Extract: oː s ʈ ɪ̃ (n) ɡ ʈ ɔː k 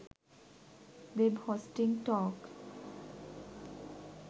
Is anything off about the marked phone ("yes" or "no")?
yes